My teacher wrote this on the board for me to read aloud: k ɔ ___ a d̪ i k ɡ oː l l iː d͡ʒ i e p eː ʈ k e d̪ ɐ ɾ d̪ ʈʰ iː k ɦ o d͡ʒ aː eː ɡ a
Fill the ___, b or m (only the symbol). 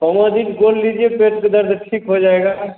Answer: m